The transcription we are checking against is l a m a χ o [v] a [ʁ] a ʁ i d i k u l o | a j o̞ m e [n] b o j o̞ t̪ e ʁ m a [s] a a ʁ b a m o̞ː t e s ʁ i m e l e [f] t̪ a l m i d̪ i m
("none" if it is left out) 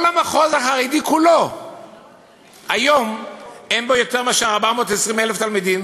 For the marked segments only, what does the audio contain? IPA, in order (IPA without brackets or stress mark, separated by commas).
z, χ, n, ʃ, f